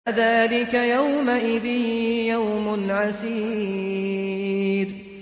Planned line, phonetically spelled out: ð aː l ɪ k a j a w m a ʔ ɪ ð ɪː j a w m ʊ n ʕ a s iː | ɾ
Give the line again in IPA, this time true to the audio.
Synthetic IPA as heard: ð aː l ɪ k a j a w m a ʔ ɪ ð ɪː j a w m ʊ n ʕ a s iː | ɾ

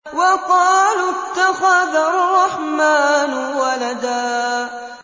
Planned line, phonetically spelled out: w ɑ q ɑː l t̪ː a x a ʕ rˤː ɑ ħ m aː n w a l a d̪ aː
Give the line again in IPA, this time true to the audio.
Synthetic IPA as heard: w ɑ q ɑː l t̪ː a x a ð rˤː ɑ ħ m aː n w a l a d̪ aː

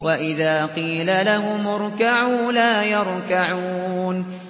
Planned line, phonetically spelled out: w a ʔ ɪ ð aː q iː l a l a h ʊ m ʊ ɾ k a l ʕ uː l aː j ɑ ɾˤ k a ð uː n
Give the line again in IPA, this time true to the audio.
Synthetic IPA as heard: w a ʔ ɪ ð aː q iː l a l a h ʊ m ʊ ɾ k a ʕ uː l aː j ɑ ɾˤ k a ʕ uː n

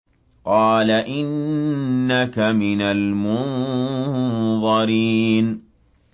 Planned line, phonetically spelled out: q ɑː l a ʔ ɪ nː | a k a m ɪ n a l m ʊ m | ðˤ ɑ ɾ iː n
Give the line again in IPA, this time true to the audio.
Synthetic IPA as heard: q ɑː l a ʔ ɪ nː | a k a m ɪ n a l m ʊ n | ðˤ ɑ ɾ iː n

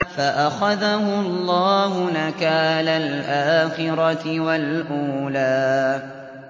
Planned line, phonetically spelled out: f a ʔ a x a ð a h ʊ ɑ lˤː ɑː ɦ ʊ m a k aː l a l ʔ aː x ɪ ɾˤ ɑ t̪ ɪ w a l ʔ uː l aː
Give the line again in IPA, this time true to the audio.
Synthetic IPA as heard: f a ʔ a x a ð a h ʊ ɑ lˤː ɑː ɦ ʊ n a k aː l a l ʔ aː x ɪ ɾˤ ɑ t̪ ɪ w a l ʔ uː l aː

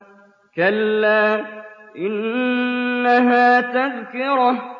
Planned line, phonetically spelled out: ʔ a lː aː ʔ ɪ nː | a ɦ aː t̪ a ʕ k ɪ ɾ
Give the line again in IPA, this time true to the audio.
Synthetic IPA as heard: k a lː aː ʔ ɪ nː | a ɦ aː t̪ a ð k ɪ ɾ

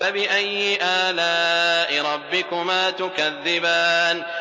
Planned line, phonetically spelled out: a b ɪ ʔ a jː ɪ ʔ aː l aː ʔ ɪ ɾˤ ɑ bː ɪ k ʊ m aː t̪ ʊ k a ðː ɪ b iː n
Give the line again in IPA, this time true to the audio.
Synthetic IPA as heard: a b ɪ ʔ a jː ɪ ʔ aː l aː ʔ ɪ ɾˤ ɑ bː ɪ k ʊ m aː t̪ ʊ k a ðː ɪ b aː n

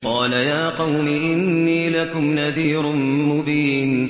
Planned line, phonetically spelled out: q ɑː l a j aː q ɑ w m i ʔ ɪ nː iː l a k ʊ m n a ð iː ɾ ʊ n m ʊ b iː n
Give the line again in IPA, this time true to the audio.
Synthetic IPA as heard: q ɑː l a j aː q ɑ w n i ʔ ɪ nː iː l a k ʊ m n a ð iː ɾ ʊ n m ʊ b iː n

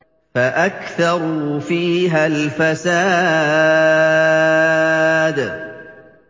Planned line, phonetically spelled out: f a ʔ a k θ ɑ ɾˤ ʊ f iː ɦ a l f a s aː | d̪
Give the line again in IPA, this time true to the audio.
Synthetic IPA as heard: f a ʔ a k θ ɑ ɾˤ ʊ f iː ɦ a l f a s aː | d̪

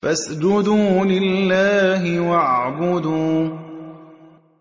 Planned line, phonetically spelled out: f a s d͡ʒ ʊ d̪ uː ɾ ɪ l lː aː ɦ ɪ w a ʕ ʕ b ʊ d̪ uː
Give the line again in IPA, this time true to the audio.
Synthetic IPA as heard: f a s d͡ʒ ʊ d̪ uː l ɪ l lː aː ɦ ɪ w a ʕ ʕ b ʊ d̪ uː

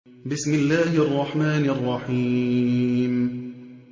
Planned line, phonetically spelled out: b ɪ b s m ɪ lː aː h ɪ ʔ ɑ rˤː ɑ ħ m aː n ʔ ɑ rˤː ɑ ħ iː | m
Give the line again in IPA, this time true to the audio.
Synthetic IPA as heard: b ɪ s m ɪ lː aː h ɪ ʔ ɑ rˤː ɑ ħ m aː n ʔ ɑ rˤː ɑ ħ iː | m

